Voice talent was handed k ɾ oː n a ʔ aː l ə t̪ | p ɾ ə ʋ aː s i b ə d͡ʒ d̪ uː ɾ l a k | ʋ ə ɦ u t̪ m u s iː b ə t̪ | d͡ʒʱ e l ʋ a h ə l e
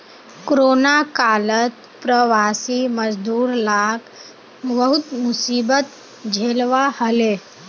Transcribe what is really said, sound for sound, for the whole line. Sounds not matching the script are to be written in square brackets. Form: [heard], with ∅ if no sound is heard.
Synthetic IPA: k ɾ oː n a [k] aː l ə t̪ | p ɾ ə ʋ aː s i [m] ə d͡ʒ d̪ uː ɾ l a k | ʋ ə ɦ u t̪ m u s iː b ə t̪ | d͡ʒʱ e l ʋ a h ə l e

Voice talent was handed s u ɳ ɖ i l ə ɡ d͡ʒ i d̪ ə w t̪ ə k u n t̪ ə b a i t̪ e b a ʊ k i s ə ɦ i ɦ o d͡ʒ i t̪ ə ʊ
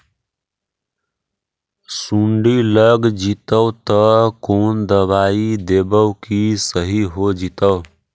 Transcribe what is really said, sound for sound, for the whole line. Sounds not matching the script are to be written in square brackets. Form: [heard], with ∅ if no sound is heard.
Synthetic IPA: s u ɳ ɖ i l ə ɡ d͡ʒ i [t̪] ə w t̪ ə k [o] n [d̪] ə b a i [d̪] e b [ə] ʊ k i s ə ɦ i ɦ o d͡ʒ i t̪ ə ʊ

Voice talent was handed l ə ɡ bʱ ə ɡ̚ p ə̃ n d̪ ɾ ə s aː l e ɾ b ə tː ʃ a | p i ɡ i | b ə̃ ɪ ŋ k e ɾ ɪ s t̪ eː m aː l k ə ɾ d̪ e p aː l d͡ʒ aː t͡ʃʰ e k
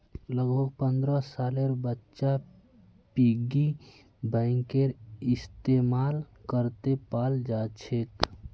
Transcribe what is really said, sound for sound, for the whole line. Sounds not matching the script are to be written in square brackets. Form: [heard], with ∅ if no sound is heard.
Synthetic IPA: l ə ɡ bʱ ə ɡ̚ p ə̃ n d̪ ɾ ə s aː l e ɾ b ə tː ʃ a | p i ɡ i | b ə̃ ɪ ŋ k e ɾ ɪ s t̪ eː m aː l k ə ɾ [t̪] e p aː l d͡ʒ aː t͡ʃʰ e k

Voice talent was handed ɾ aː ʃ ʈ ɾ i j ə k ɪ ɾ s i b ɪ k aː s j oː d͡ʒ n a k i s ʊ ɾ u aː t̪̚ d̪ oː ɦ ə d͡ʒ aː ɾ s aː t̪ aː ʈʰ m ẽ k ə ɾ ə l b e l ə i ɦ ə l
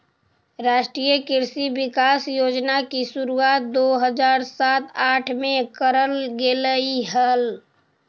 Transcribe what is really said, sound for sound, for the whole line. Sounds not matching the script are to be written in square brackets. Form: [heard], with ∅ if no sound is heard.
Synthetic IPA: ɾ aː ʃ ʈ ɾ i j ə k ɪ ɾ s i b ɪ k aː s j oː d͡ʒ n a k i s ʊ ɾ u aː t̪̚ d̪ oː ɦ ə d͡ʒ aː ɾ s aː t̪ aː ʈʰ m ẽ k ə ɾ ə l [ɡ] e l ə i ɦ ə l

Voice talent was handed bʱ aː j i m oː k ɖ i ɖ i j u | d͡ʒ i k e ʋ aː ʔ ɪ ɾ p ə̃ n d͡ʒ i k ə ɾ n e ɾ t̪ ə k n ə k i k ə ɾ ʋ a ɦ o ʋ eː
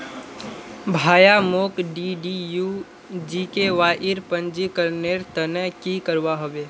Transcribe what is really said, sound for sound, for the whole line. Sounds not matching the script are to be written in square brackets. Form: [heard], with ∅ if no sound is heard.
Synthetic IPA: bʱ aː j [a] m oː k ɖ i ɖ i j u | d͡ʒ i k e ʋ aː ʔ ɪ ɾ p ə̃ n d͡ʒ i k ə ɾ n e ɾ t̪ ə [∅] n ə k i k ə ɾ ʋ a ɦ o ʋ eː

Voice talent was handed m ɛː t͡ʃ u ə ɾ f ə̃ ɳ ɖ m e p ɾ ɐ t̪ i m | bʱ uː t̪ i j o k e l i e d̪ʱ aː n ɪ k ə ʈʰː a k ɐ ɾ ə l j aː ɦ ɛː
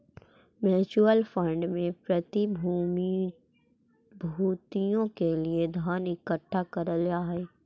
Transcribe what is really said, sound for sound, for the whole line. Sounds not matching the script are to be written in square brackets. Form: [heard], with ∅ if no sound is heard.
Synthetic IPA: m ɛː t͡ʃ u ə [l] f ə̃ ɳ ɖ m [ẽ] p ɾ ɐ t̪ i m | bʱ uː t̪ i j [õ] k e l i e d̪ʱ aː n ɪ k ə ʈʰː a k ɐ ɾ ə l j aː ɦ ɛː

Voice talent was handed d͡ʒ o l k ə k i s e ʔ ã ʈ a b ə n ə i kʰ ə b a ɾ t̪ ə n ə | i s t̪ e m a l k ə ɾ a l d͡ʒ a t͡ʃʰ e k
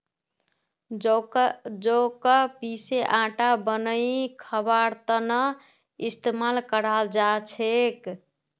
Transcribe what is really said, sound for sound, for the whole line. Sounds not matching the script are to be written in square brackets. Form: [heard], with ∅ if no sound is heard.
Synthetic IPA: d͡ʒ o [∅] k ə [p] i s e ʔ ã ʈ a b ə n ə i kʰ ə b a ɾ t̪ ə n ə | i s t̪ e m a l k ə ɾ a l d͡ʒ a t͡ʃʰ e k

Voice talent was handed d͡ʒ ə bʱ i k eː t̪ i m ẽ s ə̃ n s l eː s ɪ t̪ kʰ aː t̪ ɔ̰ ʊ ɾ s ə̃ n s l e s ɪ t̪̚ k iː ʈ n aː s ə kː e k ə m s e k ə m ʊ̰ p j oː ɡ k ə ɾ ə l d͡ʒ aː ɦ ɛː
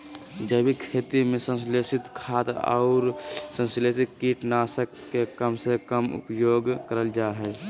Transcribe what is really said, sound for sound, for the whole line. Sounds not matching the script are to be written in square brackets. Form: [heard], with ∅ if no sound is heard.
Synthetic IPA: d͡ʒ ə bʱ i [kʰ] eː t̪ i m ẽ s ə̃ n s l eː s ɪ t̪ kʰ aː t̪ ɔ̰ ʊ ɾ s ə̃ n s l e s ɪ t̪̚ k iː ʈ n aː s ə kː e k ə m s e k ə m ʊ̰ p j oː ɡ k ə ɾ ə l d͡ʒ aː ɦ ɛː

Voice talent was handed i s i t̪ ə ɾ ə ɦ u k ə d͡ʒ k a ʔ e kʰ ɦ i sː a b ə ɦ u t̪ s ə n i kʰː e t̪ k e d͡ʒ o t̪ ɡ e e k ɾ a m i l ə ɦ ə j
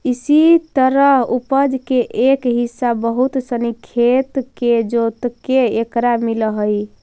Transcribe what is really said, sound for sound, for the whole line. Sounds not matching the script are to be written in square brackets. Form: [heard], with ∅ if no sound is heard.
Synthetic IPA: i s i t̪ ə ɾ ə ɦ u [p] ə d͡ʒ k [e] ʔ e [k] ɦ i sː a b ə ɦ u t̪ s ə n i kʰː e t̪ k e d͡ʒ o t̪ [k] e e k ɾ a m i l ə ɦ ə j

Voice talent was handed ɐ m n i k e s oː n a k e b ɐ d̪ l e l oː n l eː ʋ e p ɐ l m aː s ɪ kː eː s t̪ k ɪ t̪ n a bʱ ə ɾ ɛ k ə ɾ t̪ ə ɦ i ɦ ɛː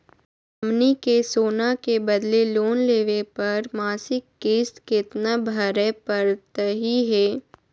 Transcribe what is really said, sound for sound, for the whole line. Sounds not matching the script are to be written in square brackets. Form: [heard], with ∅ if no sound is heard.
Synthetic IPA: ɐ m n i k e s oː n a k e b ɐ d̪ l e l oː n l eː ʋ e p ɐ [ɾ] m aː s ɪ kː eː s t̪ k ɪ t̪ n a bʱ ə ɾ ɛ [p] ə ɾ t̪ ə ɦ i ɦ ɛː

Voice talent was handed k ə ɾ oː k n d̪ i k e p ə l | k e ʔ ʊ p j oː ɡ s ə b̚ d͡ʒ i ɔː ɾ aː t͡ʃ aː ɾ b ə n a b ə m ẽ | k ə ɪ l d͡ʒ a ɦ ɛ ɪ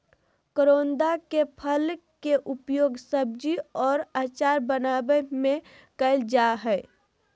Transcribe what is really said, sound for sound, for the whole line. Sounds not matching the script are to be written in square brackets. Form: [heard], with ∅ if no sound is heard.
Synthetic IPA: k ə ɾ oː [∅] n d̪ [a] k e [pʰ] ə l | k e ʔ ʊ p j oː ɡ s ə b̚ d͡ʒ i ɔː ɾ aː t͡ʃ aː ɾ b ə n a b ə m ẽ | k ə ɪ l d͡ʒ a ɦ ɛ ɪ

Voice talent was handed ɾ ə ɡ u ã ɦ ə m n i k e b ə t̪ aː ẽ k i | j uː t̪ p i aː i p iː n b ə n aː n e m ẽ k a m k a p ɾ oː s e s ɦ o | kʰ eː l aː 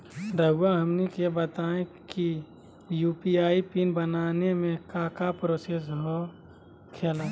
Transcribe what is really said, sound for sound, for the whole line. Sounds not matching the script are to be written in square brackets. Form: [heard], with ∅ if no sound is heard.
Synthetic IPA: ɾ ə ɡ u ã ɦ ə m n i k e b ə t̪ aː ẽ k i | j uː [∅] p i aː i p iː n b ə n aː n e m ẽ k a [∅] k a p ɾ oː s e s ɦ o | kʰ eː l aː

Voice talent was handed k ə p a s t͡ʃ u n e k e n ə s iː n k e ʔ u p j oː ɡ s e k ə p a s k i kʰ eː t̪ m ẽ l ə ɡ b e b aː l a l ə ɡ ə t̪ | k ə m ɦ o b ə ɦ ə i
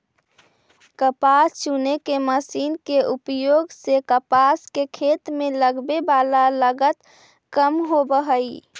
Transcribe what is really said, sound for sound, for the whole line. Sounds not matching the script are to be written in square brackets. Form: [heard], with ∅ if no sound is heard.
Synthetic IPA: k ə p a s t͡ʃ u n e k e [m] ə s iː n k e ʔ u p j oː ɡ s e k ə p a s k [e] kʰ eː t̪ m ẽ l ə ɡ b e b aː l a l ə ɡ ə t̪ | k ə m ɦ o b ə ɦ ə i

